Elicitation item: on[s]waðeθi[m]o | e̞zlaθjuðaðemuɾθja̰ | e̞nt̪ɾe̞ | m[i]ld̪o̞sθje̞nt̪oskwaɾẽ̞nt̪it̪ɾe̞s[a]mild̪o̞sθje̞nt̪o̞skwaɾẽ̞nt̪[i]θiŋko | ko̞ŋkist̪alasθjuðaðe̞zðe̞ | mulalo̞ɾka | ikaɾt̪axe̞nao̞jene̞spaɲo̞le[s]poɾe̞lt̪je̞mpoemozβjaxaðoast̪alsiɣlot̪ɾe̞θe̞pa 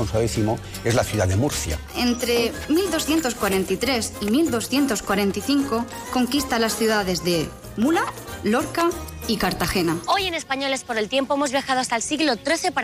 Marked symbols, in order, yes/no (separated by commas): yes, yes, yes, no, yes, yes